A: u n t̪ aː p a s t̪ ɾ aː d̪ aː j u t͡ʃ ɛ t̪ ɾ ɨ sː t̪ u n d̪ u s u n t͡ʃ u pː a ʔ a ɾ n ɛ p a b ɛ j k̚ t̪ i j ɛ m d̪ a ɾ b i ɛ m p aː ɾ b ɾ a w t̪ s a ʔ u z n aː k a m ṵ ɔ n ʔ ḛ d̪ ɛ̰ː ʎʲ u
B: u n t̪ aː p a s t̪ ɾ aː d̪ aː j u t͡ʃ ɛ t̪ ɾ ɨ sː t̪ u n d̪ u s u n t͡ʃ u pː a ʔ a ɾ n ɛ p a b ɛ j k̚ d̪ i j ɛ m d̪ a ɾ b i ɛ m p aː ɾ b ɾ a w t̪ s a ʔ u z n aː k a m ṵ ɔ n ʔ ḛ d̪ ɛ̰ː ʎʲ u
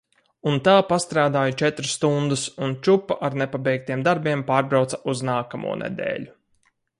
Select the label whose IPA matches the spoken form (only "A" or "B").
A